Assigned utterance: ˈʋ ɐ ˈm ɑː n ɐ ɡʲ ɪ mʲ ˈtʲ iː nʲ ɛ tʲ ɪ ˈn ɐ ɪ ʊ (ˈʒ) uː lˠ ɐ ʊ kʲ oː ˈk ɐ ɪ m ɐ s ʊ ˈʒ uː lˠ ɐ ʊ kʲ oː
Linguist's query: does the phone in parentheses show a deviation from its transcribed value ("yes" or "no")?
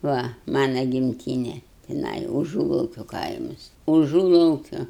no